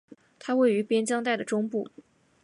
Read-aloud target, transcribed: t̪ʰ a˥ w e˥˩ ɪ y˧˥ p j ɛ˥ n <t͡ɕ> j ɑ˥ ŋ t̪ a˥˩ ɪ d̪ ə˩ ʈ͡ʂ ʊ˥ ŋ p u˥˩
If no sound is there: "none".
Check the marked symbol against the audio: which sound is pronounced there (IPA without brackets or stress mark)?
t͡ɕ